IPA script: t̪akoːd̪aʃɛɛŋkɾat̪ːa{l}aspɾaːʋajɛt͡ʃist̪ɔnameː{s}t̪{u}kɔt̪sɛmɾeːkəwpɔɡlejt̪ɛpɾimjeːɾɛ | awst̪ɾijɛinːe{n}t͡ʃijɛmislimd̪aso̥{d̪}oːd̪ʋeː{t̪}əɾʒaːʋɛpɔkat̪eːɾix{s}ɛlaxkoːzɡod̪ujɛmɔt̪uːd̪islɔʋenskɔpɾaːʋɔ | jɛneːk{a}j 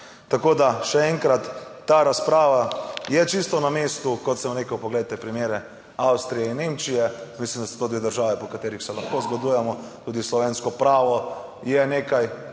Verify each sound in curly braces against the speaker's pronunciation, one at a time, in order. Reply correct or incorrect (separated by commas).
incorrect, correct, correct, incorrect, incorrect, incorrect, correct, correct